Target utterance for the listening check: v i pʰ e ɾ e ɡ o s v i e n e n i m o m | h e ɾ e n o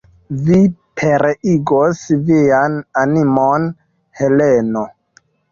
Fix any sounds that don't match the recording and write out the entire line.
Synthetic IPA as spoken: v i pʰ e ɾ i ɡ o s v i a n a n i m o n | h e l e n o